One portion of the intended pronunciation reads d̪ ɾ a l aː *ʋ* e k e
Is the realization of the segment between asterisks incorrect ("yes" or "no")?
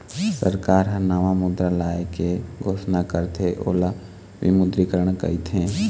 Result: yes